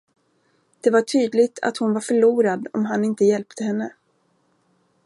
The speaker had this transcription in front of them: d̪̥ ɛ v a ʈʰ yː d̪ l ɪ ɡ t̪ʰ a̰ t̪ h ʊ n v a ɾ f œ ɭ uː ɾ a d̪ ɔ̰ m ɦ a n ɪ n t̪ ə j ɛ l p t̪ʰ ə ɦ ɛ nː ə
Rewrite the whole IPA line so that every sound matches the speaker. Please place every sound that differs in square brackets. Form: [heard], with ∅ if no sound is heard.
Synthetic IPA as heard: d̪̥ ɛ v a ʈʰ yː d̪ l ɪ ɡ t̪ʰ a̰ t̪ h ʊ n v a ɾ f œ ɭ uː ɾ a d̪ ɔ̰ m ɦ a n ɪ n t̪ ə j ɛ l p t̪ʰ ə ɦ ɛ nː ə